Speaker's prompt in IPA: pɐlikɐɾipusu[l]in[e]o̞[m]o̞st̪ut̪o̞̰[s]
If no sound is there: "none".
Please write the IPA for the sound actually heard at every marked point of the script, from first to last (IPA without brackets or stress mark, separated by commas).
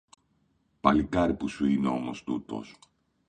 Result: none, e, m, s